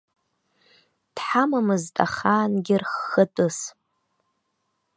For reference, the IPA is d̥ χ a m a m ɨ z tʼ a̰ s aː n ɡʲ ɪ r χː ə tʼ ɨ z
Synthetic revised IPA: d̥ ħ a m a m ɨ z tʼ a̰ χ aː n ɡʲ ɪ r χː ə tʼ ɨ s

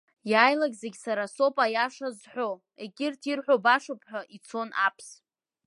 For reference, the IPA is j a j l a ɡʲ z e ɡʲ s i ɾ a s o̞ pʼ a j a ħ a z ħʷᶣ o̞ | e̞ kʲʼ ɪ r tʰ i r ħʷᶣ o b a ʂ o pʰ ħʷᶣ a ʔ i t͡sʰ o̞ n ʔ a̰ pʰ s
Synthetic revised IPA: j a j l a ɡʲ z e ɡʲ s a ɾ a s o̞ pʼ a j a ʂ a z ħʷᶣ o̞ | e̞ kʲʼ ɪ r tʰ i r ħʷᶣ o b a ʂ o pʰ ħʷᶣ a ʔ i t͡sʰ o̞ n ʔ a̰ pʰ s

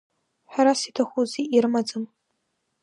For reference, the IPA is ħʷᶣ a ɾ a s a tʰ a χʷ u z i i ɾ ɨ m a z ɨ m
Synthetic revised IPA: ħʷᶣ a ɾ a s i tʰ a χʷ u z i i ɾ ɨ m a d͡z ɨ m

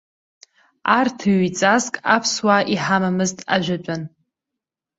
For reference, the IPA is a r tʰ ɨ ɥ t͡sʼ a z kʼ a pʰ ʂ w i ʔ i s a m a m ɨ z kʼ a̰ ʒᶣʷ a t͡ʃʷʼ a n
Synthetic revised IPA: a r tʰ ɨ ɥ t͡sʼ a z kʼ a pʰ s w a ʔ i ħ a m a m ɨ z tʼ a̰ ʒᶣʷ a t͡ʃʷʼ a n

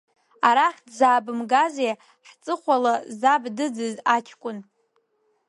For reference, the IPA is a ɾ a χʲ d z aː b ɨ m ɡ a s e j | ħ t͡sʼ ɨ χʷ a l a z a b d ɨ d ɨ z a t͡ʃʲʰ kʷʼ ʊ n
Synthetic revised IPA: a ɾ a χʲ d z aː b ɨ m ɡ a z e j | ħ t͡sʼ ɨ χʷ a l a z a b d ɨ d͡z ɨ z a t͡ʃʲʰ kʷʼ ʊ n

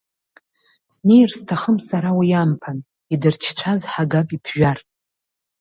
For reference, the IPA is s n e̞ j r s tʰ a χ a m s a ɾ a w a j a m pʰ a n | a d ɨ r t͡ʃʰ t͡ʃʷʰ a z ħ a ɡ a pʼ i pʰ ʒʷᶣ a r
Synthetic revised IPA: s n e̞ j r s tʰ a χ ə m s a ɾ a w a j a m pʰ a n | i d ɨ r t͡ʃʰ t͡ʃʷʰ a z ħ a ɡ a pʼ i pʰ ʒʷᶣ a r

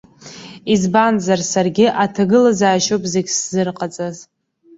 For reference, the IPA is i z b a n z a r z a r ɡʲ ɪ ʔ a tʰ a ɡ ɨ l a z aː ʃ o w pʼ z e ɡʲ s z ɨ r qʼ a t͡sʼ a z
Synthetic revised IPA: i z b a n z a r s a r ɡʲ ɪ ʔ a tʰ a ɡ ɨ l a z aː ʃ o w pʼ z e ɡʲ s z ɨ r qʼ a t͡sʼ a z

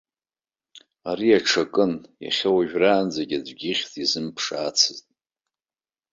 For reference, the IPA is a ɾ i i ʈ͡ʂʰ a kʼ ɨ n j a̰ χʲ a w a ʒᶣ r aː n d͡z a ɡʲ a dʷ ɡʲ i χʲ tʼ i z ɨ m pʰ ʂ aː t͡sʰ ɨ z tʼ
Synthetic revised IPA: a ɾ i a ʈ͡ʂʰ a kʼ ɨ n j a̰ χʲ a w a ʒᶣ r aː n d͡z a ɡʲ a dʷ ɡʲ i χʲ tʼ i z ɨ m pʰ ʂ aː t͡sʰ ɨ z tʼ

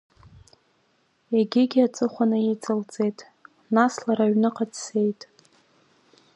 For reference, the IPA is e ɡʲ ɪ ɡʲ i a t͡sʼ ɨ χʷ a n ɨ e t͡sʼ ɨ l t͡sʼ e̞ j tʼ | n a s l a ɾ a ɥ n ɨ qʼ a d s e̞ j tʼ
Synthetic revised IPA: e ɡʲ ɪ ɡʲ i a t͡sʼ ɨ χʷ a n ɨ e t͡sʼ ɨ l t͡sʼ e̞ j tʼ | n a s l a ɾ a ɥ n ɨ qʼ a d s e̞ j tʼ

